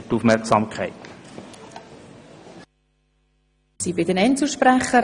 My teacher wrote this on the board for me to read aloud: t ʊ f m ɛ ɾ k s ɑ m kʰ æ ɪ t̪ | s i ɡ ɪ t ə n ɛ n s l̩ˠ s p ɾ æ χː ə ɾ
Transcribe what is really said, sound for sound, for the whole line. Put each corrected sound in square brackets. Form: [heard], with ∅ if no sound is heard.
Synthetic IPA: t [u] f m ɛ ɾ k s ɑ m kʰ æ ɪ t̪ | s i [b] ɪ [d] ə n ɛ n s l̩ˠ [ʃ] p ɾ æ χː ə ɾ